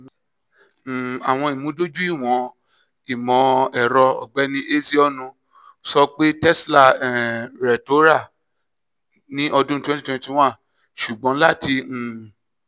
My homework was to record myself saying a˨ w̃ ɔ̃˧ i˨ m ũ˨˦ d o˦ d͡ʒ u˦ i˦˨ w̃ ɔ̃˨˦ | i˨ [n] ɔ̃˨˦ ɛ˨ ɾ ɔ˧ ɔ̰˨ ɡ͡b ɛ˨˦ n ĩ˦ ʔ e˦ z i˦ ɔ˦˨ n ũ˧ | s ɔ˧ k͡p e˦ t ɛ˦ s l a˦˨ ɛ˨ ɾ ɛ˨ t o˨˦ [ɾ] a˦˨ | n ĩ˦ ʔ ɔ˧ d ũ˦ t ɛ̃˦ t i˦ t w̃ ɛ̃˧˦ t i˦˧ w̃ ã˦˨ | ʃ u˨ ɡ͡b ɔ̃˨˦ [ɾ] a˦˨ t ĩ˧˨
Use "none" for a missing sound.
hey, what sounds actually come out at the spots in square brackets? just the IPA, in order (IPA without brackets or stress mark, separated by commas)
m, ɾ, l